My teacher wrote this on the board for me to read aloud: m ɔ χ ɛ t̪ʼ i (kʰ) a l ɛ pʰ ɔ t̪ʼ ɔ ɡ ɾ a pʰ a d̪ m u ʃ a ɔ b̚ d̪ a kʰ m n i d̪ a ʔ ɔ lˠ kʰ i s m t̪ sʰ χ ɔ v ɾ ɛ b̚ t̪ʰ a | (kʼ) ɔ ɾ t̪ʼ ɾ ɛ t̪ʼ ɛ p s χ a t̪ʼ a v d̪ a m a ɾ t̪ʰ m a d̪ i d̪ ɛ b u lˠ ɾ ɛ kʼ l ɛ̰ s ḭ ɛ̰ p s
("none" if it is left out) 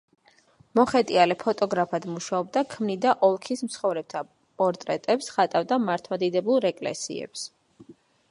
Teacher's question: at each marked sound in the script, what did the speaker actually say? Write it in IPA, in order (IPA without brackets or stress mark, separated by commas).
none, pʼ